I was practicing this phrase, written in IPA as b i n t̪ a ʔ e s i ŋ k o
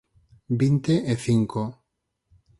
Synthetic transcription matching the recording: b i n t̪ e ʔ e θ i ŋ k o